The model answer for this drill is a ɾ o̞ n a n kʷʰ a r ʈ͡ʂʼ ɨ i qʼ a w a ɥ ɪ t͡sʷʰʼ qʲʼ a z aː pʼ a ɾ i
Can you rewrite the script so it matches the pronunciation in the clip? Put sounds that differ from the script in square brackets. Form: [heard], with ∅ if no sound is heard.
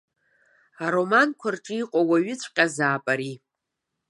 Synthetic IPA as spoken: a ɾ o̞ [m] a n kʷʰ a r ʈ͡ʂʼ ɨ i qʼ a w a ɥ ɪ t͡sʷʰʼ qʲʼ a z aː pʼ a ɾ i